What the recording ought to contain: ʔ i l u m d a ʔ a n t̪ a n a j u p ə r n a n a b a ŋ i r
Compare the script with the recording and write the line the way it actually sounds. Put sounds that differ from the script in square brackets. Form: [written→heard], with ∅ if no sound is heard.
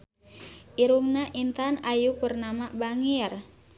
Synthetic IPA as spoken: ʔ i [l→ɾ] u m [d→n] a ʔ [a→i] n t̪ a n a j u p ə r n a [n→m] a b a ŋ i r